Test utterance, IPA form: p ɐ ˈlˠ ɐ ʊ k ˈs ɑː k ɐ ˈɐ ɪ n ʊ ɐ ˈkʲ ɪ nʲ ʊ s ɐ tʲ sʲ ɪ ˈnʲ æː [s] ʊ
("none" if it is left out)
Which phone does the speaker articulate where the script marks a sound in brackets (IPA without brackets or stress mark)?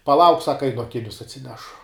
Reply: ʃ